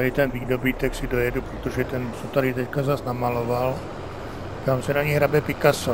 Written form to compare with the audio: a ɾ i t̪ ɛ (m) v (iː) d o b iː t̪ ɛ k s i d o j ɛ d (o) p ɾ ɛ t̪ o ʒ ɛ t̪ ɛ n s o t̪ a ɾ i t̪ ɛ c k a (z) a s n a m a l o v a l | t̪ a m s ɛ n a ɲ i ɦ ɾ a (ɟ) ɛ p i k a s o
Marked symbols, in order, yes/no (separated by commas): no, yes, no, yes, no